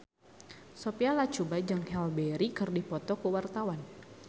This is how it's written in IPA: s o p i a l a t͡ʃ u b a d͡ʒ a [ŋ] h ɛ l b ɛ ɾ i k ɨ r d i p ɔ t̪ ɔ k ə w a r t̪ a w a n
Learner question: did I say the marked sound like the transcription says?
yes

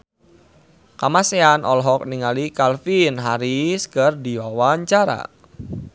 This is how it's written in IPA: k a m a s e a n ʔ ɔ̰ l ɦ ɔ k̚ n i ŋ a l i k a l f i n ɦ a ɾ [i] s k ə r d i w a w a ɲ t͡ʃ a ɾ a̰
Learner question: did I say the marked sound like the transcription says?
yes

